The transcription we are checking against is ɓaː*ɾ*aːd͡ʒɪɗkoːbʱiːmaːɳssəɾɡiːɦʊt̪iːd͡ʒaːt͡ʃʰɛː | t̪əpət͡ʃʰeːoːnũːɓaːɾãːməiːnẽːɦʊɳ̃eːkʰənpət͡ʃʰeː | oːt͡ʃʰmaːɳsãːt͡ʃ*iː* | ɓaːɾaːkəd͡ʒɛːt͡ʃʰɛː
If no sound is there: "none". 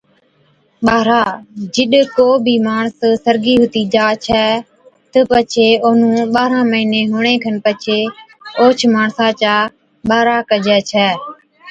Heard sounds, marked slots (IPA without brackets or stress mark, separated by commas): ɾ, aː